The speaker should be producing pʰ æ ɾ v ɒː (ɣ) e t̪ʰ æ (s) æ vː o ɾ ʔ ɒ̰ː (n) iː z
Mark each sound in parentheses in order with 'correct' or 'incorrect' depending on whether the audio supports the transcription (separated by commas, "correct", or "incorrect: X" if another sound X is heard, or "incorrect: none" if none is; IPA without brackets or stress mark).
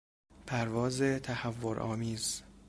incorrect: z, incorrect: h, incorrect: m